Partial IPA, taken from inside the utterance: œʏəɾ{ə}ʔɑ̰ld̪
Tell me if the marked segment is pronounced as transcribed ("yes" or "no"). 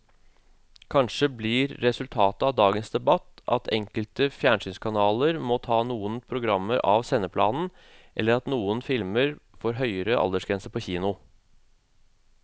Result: yes